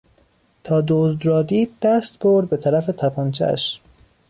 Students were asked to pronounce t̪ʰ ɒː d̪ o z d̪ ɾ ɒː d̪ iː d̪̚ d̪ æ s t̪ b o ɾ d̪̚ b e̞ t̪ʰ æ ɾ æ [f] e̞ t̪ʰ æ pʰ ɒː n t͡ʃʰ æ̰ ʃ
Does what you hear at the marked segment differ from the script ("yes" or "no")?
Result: no